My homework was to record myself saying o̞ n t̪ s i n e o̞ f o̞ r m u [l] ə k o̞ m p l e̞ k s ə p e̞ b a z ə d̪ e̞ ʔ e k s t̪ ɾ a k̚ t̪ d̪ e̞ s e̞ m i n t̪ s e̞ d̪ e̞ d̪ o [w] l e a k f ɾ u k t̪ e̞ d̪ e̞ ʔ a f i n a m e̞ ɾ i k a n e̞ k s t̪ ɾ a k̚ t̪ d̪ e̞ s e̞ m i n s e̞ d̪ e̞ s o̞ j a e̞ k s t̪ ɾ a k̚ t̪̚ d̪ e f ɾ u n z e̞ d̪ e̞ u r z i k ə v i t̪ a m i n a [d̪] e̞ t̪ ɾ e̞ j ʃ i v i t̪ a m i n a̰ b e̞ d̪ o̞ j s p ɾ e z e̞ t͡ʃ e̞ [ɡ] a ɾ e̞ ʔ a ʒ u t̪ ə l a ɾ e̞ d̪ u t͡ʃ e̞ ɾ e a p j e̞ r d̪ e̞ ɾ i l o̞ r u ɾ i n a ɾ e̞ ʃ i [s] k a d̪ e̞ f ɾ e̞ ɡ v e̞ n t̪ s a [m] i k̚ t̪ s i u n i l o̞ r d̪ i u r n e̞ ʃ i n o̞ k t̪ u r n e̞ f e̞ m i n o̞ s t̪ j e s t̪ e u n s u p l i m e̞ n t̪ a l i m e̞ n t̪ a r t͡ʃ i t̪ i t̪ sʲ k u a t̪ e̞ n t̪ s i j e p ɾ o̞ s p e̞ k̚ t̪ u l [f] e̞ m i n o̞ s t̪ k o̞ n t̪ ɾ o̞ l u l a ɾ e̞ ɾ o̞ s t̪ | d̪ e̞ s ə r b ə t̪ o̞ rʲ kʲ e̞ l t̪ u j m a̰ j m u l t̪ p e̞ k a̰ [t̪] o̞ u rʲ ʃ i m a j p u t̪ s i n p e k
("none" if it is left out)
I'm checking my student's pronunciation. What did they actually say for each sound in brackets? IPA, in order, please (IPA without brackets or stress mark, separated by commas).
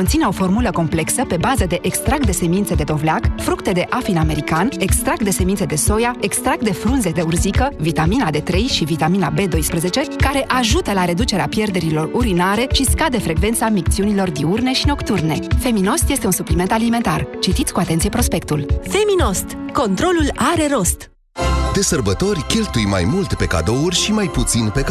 l, v, d̪, k, s, m, f, d̪